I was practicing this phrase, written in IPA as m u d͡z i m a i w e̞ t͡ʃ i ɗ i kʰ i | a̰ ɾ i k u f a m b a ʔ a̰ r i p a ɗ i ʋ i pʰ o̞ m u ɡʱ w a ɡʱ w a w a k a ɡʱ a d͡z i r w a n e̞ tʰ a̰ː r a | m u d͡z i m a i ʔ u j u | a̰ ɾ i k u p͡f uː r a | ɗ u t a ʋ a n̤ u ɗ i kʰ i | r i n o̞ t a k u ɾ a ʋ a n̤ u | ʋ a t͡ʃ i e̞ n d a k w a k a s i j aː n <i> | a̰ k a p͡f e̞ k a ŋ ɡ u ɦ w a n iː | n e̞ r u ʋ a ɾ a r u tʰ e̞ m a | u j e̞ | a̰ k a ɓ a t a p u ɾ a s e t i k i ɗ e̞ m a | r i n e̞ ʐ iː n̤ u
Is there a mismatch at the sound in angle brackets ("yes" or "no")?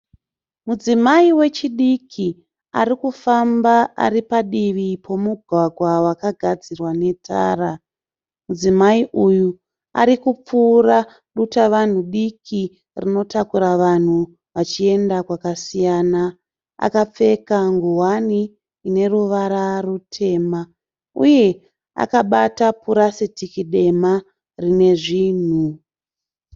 yes